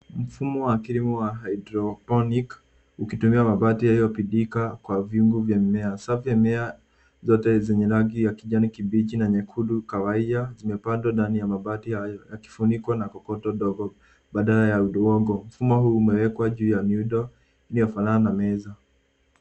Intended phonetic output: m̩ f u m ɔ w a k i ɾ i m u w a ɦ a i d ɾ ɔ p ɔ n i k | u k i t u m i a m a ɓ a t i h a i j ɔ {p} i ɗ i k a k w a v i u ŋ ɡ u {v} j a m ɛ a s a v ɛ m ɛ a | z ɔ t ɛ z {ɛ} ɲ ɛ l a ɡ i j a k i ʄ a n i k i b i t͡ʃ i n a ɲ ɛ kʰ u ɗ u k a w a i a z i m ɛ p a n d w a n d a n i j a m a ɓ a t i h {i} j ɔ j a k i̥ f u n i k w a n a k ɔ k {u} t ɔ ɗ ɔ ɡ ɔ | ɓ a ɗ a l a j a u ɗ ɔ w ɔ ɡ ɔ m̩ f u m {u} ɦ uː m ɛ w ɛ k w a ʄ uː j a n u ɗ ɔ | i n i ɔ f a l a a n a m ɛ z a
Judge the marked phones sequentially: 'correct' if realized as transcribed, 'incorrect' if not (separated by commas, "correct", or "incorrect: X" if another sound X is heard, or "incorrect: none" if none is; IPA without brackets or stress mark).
correct, correct, correct, incorrect: a, incorrect: ɔ, incorrect: ɔ